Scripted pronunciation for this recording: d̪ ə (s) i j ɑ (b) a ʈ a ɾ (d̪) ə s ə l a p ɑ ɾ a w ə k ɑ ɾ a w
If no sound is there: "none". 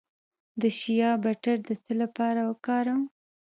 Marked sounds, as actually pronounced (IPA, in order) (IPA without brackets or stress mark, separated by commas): ʃ, b, d̪